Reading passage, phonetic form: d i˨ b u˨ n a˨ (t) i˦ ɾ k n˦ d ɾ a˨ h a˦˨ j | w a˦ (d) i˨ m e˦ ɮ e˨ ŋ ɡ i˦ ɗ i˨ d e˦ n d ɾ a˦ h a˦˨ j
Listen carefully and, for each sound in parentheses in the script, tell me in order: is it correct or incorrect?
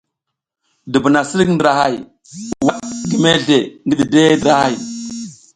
incorrect, incorrect

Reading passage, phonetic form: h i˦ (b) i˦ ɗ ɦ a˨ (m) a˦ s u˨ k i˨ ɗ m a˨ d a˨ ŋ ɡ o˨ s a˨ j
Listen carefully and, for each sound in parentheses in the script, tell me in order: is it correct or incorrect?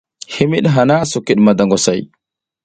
incorrect, incorrect

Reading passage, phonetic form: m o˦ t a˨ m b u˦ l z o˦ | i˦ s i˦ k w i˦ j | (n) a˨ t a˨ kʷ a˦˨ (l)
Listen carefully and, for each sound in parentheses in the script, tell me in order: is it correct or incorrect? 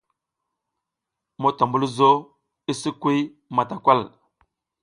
incorrect, correct

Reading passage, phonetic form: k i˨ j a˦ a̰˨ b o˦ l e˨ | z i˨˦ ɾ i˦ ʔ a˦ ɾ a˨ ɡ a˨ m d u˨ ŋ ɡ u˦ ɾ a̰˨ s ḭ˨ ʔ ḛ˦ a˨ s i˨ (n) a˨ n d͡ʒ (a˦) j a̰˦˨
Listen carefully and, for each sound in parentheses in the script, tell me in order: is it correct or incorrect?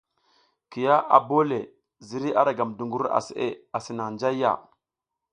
correct, correct

